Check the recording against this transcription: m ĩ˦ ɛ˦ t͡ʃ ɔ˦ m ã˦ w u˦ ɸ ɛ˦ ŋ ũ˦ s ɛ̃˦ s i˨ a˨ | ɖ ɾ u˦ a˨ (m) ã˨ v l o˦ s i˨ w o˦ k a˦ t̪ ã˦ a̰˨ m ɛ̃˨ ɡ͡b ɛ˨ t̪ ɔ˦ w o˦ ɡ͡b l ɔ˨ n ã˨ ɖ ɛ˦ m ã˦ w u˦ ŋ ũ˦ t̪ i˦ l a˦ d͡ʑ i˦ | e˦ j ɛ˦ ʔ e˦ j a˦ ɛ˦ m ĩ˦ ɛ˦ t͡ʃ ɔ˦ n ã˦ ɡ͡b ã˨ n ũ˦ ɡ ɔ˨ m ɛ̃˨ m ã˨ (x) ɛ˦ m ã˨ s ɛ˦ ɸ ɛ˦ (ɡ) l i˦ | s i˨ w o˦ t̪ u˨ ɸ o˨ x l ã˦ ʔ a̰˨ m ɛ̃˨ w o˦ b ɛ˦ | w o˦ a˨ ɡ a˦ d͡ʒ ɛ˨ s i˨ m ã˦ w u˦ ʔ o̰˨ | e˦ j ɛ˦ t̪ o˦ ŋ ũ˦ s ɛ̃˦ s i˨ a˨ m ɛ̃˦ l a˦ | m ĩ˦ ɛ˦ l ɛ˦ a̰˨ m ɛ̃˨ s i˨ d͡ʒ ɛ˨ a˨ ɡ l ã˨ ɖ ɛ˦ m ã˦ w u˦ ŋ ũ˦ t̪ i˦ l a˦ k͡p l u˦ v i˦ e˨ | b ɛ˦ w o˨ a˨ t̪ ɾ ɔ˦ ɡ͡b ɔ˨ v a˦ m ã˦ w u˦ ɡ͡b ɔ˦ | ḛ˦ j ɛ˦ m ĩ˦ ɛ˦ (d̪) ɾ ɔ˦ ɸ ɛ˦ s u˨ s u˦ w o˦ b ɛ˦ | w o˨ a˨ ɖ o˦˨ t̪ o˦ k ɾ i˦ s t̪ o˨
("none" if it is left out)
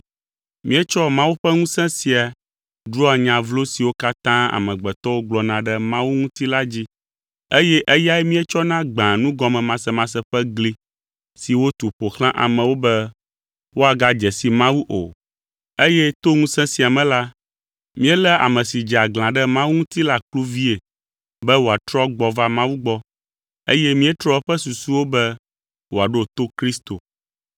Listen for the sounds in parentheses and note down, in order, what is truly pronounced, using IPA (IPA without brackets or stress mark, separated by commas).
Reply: ɲ, s, ɡ, t̪